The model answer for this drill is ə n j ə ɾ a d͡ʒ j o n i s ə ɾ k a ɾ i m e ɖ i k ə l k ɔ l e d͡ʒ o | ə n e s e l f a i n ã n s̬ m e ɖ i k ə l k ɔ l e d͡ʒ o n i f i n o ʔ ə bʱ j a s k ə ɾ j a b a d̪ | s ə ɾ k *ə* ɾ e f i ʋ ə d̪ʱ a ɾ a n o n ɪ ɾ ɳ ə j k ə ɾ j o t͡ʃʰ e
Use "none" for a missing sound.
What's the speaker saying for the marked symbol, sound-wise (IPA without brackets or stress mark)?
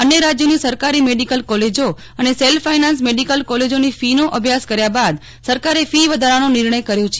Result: a